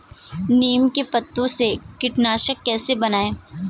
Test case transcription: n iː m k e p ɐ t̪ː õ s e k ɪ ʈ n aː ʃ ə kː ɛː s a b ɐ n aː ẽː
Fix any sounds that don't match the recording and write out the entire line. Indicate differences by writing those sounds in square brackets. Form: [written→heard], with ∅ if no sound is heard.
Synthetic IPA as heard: n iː m k e p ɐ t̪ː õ s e k ɪ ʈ n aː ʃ ə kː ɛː s [a→e] b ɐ n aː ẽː

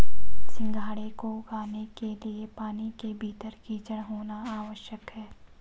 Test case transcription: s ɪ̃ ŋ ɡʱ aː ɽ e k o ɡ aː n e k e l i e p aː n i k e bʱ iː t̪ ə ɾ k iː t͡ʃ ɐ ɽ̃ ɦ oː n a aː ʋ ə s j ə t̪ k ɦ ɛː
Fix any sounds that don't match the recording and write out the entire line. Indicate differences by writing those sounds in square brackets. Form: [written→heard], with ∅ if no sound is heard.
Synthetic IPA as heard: s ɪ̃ ŋ ɡʱ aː ɽ e k o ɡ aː n e k e l i e p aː n i k e bʱ iː t̪ ə ɾ k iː t͡ʃ [ɐ→ə] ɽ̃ ɦ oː n a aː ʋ ə [s→ʃ] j ə [t̪→∅] k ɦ ɛː

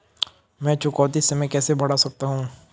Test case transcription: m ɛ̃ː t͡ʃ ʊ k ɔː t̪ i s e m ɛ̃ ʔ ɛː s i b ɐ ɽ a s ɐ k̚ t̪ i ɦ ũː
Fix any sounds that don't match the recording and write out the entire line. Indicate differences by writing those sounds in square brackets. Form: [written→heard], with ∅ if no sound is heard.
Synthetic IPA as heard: m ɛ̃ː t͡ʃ ʊ k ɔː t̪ i s e m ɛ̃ [ʔ→k] ɛː s [i→e] b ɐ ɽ a s ɐ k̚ t̪ [i→a] ɦ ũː

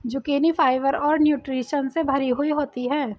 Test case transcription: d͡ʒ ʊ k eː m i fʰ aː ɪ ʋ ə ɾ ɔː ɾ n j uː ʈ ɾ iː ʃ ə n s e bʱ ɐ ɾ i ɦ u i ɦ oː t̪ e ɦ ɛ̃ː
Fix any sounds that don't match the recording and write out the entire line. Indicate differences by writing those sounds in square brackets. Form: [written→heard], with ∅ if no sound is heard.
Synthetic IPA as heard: d͡ʒ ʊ k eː [m→n] i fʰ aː ɪ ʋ ə ɾ ɔː ɾ n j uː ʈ ɾ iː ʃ ə n s e bʱ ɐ ɾ i ɦ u i ɦ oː t̪ [e→i] ɦ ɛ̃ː

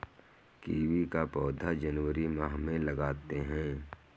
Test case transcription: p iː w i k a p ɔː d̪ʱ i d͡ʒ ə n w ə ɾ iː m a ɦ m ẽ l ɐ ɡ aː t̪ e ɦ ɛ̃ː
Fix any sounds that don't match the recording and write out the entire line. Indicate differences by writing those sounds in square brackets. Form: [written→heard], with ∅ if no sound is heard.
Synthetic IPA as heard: [p→k] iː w i k a p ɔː d̪ʱ [i→a] d͡ʒ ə n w ə ɾ [iː→i] m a ɦ m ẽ l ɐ ɡ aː t̪ e ɦ ɛ̃ː

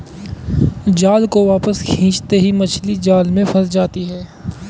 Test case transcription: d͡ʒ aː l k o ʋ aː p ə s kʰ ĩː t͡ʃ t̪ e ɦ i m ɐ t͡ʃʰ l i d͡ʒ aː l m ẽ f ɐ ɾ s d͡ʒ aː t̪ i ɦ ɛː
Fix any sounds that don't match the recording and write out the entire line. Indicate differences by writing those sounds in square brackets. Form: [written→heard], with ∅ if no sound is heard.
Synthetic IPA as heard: d͡ʒ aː l k o ʋ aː p ə s kʰ ĩː t͡ʃ t̪ e ɦ i m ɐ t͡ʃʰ l i d͡ʒ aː l m ẽ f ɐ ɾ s d͡ʒ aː t̪ i ɦ ɛː

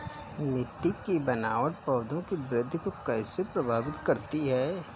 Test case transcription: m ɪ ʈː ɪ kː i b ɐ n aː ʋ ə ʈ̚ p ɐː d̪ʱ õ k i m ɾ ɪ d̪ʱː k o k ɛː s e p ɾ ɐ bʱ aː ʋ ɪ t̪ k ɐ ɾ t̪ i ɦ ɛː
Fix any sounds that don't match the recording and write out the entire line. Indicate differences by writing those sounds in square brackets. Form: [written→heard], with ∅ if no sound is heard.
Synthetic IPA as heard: m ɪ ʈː ɪ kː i b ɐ n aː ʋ ə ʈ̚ p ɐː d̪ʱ õ k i [m→b] ɾ ɪ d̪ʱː k o k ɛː s e p ɾ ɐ bʱ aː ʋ ɪ t̪ k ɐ ɾ t̪ i ɦ ɛː

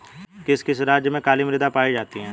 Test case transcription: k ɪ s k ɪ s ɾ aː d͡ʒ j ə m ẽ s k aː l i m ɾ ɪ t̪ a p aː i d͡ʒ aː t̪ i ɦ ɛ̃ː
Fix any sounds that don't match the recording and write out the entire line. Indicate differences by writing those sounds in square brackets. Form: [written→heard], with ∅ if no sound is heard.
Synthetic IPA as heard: k ɪ s k ɪ s ɾ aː d͡ʒ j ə m ẽ [s→∅] k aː l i m ɾ ɪ [t̪→d̪] a p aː i d͡ʒ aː t̪ i ɦ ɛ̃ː

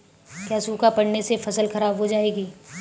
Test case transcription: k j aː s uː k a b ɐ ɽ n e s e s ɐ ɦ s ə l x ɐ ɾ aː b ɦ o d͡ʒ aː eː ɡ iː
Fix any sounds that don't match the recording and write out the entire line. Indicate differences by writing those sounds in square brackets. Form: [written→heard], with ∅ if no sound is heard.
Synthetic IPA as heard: k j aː s uː k a [b→p] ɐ ɽ n e s e [s→f] ɐ [ɦ→∅] s ə l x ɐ ɾ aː b ɦ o d͡ʒ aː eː ɡ iː

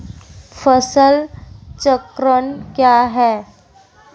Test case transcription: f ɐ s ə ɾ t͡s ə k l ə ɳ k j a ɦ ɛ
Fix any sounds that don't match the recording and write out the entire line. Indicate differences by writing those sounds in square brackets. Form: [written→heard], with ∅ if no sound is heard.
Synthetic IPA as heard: f [ɐ→ə] s ə [ɾ→l] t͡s ə k [l→ɾ] ə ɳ k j a ɦ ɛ

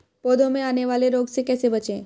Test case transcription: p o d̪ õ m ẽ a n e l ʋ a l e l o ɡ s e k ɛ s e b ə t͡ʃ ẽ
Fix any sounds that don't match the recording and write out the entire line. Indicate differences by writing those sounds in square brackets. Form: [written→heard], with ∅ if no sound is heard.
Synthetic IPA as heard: p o d̪ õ m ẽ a n e [l→∅] ʋ a l e [l→ɾ] o ɡ s e k ɛ s e b ə t͡ʃ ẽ

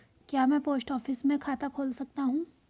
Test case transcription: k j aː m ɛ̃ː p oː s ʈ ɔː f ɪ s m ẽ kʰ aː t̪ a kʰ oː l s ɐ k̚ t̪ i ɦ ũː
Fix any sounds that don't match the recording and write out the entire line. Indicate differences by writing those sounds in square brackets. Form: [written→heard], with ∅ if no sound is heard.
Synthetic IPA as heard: k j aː m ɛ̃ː p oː s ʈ ɔː f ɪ s m ẽ kʰ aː t̪ a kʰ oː l s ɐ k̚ t̪ [i→a] ɦ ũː

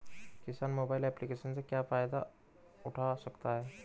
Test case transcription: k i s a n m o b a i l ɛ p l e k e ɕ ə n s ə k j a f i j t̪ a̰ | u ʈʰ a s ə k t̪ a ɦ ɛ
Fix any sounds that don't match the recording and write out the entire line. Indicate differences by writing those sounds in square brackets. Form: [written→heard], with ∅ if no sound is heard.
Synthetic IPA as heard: k i s a n m o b a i l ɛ p l [e→i] k e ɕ ə n [s→t͡s] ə k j a f [i→a] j [t̪→d̪] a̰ | u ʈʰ a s ə k t̪ a ɦ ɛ

